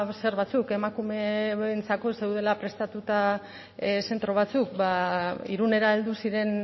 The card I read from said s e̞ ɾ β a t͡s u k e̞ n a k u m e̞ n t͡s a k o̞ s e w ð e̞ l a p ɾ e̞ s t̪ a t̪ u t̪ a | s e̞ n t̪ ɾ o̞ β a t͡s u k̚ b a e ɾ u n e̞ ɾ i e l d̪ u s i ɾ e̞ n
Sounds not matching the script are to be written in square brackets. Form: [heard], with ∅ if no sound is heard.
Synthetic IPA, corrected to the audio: s e̞ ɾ β a t͡s u k e̞ [m] a k u m e̞ n t͡s a k o̞ s e w ð e̞ l a p ɾ e̞ s t̪ a t̪ u t̪ a | s e̞ n t̪ ɾ o̞ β a t͡s u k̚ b a [i] ɾ u n e̞ ɾ [a] e l d̪ u s i ɾ e̞ n